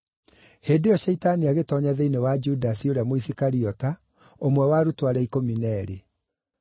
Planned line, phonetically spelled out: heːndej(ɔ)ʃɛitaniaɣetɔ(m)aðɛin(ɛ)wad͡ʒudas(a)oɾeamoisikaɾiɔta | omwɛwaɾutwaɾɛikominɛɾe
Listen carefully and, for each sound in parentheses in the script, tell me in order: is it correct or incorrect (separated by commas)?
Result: correct, incorrect, incorrect, incorrect